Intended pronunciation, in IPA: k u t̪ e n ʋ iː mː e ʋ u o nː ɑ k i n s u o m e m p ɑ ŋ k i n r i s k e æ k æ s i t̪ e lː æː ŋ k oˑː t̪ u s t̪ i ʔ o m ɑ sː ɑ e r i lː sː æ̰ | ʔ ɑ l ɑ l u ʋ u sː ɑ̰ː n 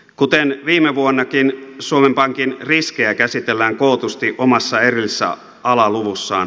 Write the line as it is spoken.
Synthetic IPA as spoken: k u t̪ e n ʋ iː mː e ʋ u o nː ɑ k i n s u o m e m p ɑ ŋ k i n r i s k e æ k æ s i t̪ e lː æː ŋ k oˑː t̪ u s t̪ i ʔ o m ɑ sː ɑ e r i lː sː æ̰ | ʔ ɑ l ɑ l u ʋ u sː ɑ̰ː n